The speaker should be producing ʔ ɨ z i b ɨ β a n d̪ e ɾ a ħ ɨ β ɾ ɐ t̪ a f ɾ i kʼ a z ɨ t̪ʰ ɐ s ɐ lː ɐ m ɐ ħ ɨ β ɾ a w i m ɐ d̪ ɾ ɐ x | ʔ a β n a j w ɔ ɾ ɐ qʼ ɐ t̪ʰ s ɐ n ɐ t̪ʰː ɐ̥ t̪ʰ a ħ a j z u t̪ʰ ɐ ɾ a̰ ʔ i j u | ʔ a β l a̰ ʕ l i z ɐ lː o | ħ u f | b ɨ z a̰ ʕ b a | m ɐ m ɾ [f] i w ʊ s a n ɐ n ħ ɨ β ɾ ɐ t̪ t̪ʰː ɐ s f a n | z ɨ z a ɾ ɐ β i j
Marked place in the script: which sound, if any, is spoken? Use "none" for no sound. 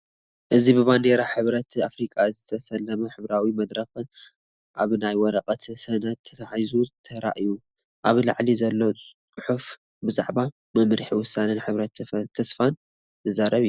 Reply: ħ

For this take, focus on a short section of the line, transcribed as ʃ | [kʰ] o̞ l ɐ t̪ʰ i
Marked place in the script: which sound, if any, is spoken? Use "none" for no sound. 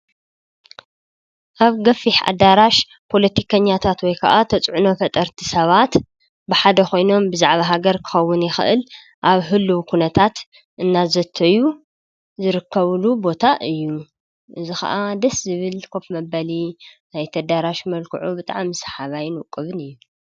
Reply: pʰ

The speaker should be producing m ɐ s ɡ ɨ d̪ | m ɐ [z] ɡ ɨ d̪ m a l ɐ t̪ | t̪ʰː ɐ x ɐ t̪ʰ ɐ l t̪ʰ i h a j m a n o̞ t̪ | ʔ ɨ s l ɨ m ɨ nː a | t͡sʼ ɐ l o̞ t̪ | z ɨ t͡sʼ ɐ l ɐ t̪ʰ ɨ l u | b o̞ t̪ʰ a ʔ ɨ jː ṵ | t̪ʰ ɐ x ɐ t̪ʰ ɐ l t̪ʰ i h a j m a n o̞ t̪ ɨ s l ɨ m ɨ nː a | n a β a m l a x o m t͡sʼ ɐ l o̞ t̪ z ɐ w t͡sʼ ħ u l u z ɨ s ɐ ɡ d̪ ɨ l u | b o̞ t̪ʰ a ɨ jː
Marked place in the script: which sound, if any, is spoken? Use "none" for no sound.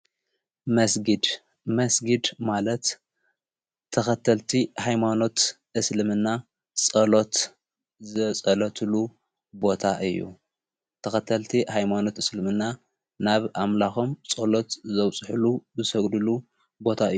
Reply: s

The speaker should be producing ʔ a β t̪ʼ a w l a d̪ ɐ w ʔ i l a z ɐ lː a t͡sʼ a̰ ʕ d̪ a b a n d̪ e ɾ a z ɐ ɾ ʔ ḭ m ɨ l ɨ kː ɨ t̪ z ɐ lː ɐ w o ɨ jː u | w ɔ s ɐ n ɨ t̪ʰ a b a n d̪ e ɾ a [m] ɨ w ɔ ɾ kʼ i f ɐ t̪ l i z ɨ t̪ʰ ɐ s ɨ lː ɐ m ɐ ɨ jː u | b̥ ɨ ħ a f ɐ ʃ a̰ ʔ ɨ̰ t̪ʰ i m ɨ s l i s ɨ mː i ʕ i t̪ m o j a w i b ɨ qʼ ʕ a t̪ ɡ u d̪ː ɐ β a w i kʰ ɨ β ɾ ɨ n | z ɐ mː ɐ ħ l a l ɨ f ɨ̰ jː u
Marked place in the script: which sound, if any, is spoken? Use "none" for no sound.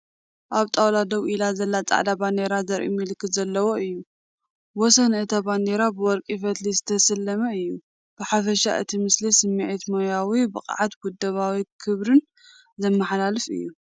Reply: b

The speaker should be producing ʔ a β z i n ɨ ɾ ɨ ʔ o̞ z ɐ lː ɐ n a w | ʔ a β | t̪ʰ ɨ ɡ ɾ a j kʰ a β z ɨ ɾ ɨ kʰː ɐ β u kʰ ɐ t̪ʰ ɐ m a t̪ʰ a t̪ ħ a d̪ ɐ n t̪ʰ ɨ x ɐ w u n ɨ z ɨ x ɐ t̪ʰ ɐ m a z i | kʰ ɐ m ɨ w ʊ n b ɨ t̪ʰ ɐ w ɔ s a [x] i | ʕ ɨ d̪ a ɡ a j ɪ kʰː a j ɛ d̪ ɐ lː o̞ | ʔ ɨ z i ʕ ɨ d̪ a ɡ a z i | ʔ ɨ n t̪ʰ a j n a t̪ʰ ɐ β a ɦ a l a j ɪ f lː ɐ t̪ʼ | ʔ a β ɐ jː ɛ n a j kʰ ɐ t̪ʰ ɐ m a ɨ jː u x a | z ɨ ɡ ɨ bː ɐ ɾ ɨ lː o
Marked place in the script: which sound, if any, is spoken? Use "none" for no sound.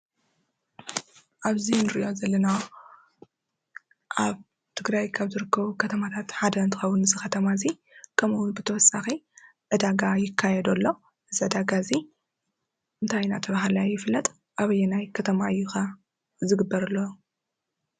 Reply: x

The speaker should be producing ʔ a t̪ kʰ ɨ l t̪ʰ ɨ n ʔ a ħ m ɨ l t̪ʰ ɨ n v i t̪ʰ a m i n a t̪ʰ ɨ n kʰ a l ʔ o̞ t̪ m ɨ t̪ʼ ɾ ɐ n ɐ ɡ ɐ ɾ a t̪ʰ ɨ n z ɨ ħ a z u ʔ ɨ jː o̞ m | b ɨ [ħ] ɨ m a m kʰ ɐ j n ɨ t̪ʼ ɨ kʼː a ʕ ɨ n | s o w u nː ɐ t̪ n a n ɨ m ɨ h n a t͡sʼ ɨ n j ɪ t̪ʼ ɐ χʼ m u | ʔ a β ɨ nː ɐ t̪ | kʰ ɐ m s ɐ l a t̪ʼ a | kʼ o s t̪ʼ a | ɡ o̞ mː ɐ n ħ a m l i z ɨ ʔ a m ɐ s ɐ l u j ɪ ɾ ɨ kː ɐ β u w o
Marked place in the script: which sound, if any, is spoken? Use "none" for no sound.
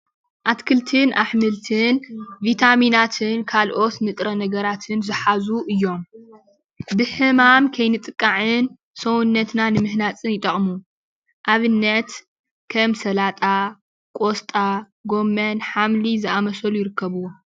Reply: ħ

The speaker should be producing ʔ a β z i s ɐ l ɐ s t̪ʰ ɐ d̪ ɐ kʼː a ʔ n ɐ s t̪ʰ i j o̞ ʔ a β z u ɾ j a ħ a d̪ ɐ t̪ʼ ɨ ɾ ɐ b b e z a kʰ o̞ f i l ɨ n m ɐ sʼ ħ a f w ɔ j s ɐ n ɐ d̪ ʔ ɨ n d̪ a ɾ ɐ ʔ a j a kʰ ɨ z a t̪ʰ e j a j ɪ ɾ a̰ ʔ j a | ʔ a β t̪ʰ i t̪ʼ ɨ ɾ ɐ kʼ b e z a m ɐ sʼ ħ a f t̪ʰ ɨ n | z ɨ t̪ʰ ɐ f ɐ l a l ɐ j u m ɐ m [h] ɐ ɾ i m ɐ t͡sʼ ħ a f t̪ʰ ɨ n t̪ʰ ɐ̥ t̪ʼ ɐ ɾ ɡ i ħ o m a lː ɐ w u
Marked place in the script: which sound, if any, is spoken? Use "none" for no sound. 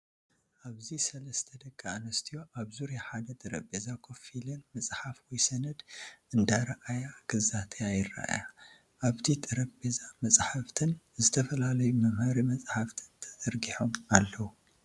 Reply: h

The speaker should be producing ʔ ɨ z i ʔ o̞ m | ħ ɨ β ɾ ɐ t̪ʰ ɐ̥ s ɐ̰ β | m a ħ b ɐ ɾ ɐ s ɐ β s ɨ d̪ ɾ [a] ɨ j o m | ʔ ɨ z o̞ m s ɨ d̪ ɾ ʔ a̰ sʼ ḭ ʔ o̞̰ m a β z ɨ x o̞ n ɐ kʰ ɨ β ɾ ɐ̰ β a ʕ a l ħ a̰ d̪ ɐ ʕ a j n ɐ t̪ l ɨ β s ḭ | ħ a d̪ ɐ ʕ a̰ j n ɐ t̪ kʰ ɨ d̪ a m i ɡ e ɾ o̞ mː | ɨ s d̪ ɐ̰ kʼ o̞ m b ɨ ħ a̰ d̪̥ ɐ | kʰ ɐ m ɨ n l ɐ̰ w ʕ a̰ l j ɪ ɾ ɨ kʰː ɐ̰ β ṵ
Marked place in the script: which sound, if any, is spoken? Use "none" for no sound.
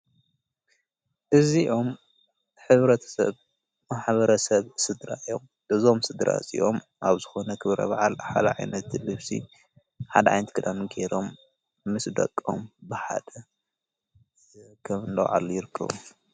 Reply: a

